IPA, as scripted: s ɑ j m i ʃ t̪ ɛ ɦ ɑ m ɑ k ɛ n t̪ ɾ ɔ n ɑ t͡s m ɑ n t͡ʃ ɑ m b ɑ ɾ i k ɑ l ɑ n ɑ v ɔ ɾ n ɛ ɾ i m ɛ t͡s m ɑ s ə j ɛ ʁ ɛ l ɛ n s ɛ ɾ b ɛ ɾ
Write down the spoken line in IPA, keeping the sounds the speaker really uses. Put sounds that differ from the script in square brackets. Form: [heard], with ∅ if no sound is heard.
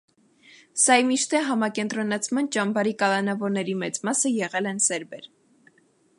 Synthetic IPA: s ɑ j m i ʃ t̪ ɛ ɦ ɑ m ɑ k ɛ n t̪ ɾ ɔ n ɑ [t͡sʰ] m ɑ n t͡ʃ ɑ m b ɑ ɾ i k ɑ l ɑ n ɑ v ɔ ɾ n ɛ ɾ i m ɛ t͡s m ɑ s ə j ɛ ʁ ɛ l ɛ n s ɛ ɾ b ɛ ɾ

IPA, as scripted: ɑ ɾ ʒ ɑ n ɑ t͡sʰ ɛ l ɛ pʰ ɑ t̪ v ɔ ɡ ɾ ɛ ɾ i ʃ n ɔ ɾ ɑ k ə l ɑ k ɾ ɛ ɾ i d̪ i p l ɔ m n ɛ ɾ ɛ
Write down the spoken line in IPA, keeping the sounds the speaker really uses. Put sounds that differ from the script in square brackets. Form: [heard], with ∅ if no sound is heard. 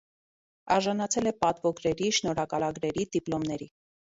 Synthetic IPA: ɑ ɾ ʒ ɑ n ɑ t͡sʰ ɛ l ɛ [p] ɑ t̪ v ɔ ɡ ɾ ɛ ɾ i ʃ n ɔ ɾ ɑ k [ɑ] l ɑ [ɡ] ɾ ɛ ɾ i d̪ i p l ɔ m n ɛ ɾ [i]

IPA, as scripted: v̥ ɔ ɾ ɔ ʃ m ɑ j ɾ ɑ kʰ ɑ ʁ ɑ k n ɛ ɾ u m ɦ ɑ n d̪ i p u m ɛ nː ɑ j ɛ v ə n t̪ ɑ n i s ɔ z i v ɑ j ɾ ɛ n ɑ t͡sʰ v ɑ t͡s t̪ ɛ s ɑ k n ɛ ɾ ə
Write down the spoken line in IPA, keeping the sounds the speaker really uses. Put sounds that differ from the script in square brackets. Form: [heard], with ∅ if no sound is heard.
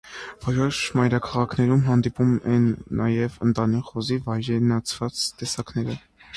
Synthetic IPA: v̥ ɔ ɾ ɔ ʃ m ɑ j ɾ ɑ kʰ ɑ ʁ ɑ [kʰ] n ɛ ɾ u m ɦ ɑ n d̪ i p u m ɛ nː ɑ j ɛ v ə n t̪ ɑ n i [χ] ɔ z i v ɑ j ɾ ɛ n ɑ t͡sʰ v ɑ t͡s t̪ ɛ s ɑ k n ɛ ɾ ə

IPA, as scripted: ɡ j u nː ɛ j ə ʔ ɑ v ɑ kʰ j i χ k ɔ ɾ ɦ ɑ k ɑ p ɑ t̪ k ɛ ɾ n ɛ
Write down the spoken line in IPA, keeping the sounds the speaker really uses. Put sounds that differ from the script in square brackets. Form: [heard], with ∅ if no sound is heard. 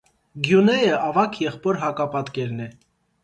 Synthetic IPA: ɡ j u [n] ɛ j ə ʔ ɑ v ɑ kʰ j [ɛ] χ [p] ɔ ɾ ɦ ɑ k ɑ p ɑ t̪ k ɛ ɾ n ɛ

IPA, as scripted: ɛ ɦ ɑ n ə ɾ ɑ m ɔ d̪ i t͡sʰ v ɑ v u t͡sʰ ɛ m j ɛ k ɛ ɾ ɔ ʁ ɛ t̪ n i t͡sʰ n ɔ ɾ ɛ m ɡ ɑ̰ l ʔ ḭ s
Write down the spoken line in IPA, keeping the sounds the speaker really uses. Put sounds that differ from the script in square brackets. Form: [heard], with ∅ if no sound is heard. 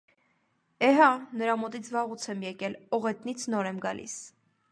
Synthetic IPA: ɛ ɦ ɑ n ə ɾ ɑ m ɔ [t̪] i t͡sʰ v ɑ [ʁ] u t͡sʰ ɛ m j ɛ k ɛ [l] ɔ ʁ ɛ t̪ n i t͡sʰ n ɔ ɾ ɛ m ɡ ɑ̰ l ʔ ḭ s

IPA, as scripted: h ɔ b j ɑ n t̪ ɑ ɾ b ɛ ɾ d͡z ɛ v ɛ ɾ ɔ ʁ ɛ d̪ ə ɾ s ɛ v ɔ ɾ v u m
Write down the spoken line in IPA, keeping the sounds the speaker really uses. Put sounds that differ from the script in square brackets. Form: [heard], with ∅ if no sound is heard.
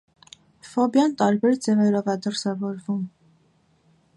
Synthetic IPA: [f] ɔ b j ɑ n t̪ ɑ ɾ b ɛ ɾ d͡z ɛ v ɛ ɾ ɔ [v] ɛ d̪ ə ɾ s ɛ v ɔ ɾ v u m

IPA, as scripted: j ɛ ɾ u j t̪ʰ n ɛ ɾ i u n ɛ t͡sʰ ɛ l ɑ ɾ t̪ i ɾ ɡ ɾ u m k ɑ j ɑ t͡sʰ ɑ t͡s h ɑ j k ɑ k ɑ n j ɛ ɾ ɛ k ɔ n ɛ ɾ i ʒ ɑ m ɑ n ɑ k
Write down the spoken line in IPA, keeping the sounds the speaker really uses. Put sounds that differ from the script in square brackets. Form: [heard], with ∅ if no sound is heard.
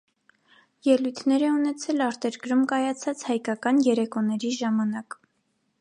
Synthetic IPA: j ɛ [l] u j t̪ʰ n ɛ ɾ [ɛ] u n ɛ t͡sʰ ɛ l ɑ ɾ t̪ [ɛ] ɾ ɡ ɾ u m k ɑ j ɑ t͡sʰ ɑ t͡s h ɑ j k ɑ k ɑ n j ɛ ɾ ɛ k ɔ n ɛ ɾ i ʒ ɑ m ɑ n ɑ k

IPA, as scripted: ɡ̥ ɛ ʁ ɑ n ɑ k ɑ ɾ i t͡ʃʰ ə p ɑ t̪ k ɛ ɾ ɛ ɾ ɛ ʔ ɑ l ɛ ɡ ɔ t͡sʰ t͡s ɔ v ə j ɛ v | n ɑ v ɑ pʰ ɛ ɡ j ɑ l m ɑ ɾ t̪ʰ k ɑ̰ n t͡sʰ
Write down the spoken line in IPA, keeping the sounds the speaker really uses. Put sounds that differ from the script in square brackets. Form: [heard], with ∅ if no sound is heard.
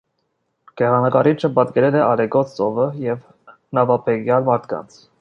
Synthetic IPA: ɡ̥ ɛ ʁ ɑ n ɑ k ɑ ɾ i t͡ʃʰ ə p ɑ t̪ k ɛ ɾ ɛ [l] ɛ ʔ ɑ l ɛ ɡ ɔ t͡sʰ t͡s ɔ v ə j ɛ v | n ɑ v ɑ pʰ ɛ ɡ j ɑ l m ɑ ɾ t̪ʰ k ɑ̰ n t͡sʰ

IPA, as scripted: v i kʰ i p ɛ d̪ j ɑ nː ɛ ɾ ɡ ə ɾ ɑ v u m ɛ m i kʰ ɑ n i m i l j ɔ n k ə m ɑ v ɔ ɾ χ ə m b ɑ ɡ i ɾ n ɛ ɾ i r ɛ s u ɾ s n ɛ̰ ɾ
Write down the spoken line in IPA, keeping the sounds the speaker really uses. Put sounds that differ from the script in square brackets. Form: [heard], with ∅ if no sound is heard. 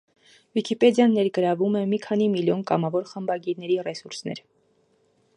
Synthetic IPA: v i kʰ i p ɛ d̪ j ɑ nː ɛ ɾ ɡ ə ɾ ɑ v u m ɛ m i kʰ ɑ n i m i l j ɔ n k [ɑ] m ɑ v ɔ ɾ χ ə m b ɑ ɡ i ɾ n ɛ ɾ i r ɛ s u ɾ s n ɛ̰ ɾ

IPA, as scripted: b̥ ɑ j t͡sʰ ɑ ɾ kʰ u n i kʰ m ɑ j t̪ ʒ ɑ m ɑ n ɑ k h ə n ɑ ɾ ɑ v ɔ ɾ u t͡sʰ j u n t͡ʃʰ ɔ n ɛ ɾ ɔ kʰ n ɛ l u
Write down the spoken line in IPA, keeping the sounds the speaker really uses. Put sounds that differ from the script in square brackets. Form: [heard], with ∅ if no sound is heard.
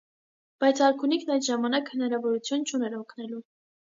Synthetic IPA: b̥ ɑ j t͡sʰ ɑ ɾ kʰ u n i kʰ [n] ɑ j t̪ ʒ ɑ m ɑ n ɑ k h ə n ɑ ɾ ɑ v ɔ ɾ u t͡sʰ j u n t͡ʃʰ [u] n ɛ ɾ ɔ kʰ n ɛ l u

